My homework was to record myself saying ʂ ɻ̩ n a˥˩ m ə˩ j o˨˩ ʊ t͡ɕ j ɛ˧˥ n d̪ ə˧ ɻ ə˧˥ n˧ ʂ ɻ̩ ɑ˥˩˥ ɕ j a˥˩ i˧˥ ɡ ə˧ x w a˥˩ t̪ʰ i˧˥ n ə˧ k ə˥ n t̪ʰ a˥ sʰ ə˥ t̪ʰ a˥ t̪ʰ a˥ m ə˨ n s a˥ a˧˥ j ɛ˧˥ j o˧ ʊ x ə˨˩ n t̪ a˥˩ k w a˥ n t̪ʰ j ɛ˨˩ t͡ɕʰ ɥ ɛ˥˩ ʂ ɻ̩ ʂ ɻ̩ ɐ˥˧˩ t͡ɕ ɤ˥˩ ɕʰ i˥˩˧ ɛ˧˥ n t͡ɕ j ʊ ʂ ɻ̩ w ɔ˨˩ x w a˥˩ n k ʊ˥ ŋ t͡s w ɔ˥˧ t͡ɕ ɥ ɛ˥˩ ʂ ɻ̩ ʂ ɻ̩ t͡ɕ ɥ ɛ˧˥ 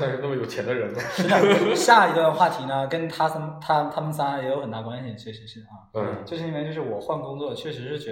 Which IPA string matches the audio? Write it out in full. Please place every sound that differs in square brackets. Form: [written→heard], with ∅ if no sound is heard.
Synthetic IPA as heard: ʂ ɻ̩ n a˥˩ m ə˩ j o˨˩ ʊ [t͡ɕ→t͡ɕʰ] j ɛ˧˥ n d̪ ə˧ ɻ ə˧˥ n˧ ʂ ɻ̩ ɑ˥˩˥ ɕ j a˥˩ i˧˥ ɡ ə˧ x w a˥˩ t̪ʰ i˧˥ n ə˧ k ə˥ n t̪ʰ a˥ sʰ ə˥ t̪ʰ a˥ t̪ʰ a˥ m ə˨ n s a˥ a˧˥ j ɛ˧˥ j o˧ ʊ x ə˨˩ n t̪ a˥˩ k w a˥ n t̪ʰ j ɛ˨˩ t͡ɕʰ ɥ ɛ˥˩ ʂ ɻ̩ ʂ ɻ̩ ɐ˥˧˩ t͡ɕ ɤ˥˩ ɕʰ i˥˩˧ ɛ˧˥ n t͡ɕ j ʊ ʂ ɻ̩ w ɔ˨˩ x w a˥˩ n k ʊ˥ ŋ t͡s w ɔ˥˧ [t͡ɕ→t͡ɕʰ] ɥ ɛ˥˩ ʂ ɻ̩ ʂ ɻ̩ t͡ɕ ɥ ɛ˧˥